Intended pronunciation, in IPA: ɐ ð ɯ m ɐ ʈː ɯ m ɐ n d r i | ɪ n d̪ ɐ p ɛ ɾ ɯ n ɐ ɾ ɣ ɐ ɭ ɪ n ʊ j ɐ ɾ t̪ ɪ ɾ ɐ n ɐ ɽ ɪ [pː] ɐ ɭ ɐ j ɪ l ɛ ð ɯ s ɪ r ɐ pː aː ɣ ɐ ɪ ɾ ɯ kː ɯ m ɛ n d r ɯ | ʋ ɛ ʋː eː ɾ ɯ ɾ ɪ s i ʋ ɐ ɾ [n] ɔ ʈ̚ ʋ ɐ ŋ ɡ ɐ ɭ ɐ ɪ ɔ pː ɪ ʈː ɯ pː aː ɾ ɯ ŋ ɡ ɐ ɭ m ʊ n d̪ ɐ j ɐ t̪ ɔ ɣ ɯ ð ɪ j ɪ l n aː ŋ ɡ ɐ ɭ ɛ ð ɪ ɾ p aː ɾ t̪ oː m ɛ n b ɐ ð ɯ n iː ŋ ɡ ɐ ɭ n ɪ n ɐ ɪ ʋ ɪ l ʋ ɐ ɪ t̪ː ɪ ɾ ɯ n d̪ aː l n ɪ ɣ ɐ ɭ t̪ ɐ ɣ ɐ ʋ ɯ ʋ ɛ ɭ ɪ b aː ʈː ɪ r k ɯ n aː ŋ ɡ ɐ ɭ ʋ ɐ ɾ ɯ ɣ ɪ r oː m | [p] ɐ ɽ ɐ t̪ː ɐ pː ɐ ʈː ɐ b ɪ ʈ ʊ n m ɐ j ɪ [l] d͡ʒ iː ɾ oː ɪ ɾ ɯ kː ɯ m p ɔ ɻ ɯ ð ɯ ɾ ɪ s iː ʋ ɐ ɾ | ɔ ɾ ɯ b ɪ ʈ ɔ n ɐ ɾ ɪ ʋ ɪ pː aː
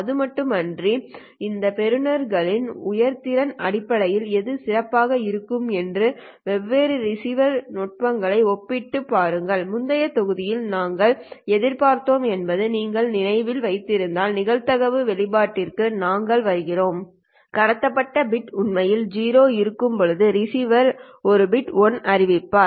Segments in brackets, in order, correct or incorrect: correct, correct, incorrect: k, correct

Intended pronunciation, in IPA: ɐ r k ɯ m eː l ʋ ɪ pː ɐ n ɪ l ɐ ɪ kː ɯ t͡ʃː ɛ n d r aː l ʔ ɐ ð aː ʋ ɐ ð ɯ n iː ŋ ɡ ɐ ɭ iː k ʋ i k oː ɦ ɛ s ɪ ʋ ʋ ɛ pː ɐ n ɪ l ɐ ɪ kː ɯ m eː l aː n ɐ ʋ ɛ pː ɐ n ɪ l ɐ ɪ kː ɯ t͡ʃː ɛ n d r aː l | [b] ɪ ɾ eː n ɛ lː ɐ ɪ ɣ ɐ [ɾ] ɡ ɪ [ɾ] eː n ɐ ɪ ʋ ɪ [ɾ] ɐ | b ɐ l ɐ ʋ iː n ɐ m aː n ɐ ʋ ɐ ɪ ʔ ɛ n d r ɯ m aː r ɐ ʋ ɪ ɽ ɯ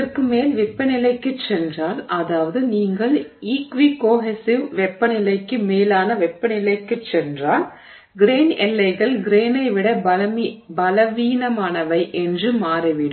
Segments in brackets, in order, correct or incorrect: incorrect: ɡ, incorrect: ɭ, correct, incorrect: ɽ

